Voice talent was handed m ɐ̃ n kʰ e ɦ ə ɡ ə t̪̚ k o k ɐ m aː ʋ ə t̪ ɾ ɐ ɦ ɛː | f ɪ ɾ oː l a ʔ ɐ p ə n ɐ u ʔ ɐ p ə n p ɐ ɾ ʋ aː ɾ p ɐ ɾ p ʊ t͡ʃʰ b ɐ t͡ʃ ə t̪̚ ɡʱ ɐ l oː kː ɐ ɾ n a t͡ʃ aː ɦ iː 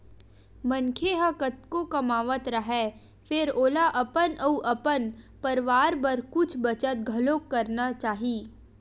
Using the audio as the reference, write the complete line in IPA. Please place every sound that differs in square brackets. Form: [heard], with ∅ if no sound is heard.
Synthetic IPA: m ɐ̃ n kʰ e ɦ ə [k] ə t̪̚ k o k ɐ m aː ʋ ə t̪ ɾ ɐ ɦ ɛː | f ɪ ɾ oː l a ʔ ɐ p ə n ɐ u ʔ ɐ p ə n p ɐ ɾ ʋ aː ɾ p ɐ ɾ [k] ʊ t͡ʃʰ b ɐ t͡ʃ ə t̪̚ ɡʱ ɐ l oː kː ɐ ɾ n a t͡ʃ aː ɦ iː